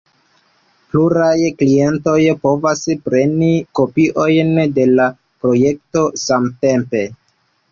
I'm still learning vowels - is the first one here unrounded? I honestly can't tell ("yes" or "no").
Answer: no